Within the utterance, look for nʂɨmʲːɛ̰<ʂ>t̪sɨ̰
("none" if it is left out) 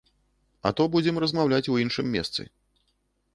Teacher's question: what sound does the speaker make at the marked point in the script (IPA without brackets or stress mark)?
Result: s